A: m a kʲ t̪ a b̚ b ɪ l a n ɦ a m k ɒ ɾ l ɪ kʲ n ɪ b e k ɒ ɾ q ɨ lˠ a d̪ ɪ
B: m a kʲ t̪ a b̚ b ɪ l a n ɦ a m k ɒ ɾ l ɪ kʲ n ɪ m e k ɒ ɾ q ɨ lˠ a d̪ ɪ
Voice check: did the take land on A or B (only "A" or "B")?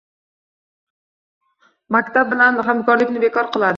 A